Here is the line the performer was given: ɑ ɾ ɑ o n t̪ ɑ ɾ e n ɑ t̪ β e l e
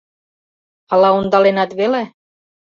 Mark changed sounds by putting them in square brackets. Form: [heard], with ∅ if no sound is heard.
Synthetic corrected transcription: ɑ [l] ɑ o n [d̪] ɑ [l] e n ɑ t̪ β e l e